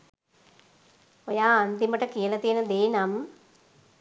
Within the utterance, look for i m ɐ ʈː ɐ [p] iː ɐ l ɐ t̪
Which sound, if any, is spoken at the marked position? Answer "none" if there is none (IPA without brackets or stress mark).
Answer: k